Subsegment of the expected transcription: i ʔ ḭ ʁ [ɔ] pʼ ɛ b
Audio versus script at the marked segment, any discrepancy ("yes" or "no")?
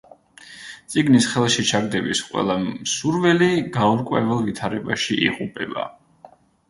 yes